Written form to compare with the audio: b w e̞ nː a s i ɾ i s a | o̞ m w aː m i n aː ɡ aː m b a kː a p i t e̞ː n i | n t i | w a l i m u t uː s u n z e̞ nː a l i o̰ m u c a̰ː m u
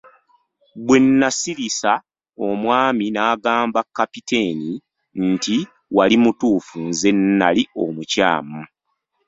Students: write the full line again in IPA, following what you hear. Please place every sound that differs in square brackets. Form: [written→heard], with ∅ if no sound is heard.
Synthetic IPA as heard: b w e̞ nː a s i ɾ i s a | o̞ m w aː m i n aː ɡ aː m b a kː a p i t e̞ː n i | n t i | w a l i m u t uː [s→f] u n z e̞ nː a l i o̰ m u c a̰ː m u